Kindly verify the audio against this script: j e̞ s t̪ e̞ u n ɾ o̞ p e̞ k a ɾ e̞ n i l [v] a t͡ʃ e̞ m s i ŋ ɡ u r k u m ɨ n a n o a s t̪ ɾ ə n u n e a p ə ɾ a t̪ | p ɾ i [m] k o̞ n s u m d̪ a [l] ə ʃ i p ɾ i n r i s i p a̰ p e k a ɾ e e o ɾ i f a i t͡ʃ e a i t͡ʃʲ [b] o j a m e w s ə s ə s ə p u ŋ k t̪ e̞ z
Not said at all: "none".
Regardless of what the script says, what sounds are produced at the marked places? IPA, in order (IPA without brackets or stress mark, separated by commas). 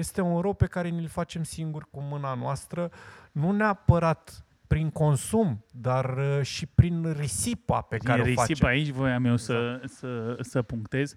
f, ŋ, r, v